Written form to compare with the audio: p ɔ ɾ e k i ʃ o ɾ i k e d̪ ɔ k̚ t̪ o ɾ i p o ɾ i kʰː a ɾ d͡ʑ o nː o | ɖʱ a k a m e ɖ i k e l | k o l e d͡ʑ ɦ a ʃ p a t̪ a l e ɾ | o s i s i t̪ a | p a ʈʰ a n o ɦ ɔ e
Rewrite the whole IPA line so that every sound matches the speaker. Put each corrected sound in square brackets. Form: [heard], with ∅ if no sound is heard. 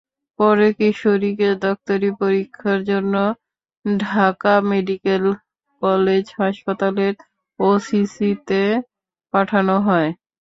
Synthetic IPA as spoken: p ɔ ɾ e k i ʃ o ɾ i k e d̪ ɔ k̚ t̪ o ɾ i p o ɾ i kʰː a ɾ d͡ʑ o nː o | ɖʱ a k a m e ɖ i k e l | k [ɔ] l e d͡ʑ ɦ a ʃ p a t̪ a l e ɾ | o s i s i t̪ [e] | p a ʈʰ a n o ɦ ɔ e